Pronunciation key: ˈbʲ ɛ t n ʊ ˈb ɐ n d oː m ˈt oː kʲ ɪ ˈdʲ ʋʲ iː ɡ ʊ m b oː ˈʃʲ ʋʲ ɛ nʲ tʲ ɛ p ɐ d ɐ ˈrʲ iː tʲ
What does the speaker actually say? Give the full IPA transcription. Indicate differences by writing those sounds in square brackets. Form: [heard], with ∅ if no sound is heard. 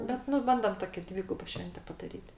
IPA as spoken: ˈbʲ ɛ t n ʊ ˈb ɐ n d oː m ˈt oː kʲ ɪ ˈdʲ ʋʲ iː ɡ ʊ [∅] b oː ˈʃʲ ʋʲ ɛ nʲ tʲ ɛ p ɐ d ɐ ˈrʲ iː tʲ